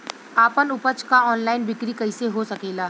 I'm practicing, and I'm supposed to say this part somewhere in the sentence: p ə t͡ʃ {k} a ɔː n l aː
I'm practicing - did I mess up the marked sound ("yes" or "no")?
no